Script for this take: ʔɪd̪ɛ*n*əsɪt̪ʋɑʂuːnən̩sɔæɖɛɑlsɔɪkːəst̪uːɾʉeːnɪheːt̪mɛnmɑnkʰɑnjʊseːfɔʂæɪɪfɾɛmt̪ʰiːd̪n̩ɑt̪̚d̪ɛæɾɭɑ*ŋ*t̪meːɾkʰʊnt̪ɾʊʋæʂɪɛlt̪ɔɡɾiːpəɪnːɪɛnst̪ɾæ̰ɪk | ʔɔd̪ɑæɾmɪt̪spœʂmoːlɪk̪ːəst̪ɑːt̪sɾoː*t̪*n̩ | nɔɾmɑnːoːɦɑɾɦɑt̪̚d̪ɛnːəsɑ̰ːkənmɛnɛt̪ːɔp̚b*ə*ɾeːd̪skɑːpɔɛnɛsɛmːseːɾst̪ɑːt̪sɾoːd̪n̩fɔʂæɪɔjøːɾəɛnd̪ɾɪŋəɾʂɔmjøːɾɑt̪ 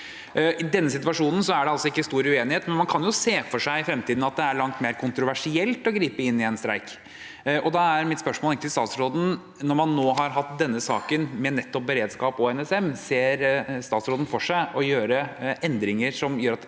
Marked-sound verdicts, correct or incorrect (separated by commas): incorrect, correct, incorrect, correct